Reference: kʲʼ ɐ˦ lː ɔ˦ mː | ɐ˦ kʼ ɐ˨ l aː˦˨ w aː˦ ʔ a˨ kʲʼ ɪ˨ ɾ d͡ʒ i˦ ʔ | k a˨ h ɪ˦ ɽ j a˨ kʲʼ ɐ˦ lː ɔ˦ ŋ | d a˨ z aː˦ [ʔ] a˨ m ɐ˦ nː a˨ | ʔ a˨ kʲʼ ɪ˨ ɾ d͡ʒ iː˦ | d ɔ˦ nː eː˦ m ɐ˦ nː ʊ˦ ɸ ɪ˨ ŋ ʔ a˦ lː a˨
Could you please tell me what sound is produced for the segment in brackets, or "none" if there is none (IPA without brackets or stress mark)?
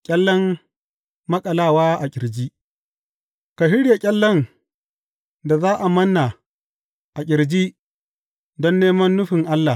ʔ